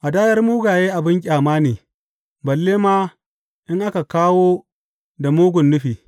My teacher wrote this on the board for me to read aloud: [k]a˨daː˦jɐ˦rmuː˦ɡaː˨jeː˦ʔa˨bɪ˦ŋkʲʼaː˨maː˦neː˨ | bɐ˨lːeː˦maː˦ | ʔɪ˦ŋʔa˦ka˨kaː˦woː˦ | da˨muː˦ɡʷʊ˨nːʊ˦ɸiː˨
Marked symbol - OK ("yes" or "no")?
no